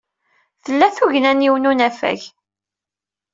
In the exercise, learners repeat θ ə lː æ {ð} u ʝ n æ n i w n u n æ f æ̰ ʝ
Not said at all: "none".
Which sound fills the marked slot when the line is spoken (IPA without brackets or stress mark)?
θ